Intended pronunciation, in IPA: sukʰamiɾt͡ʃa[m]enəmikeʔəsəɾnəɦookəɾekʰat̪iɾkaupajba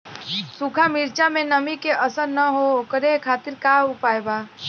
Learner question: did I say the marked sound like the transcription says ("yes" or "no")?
yes